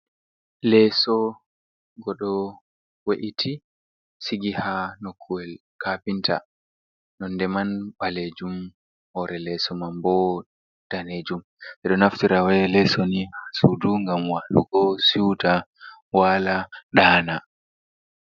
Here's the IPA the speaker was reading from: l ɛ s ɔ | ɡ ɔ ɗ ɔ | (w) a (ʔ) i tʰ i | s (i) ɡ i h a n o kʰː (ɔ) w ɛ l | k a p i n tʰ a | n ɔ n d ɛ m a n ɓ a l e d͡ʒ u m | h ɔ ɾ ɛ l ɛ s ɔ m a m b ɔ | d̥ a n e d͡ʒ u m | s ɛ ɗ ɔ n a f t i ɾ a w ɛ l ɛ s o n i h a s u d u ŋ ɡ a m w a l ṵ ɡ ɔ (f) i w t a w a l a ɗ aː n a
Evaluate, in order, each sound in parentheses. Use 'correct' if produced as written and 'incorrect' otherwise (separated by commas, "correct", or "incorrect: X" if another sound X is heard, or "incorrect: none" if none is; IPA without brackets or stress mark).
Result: correct, correct, correct, incorrect: u, incorrect: s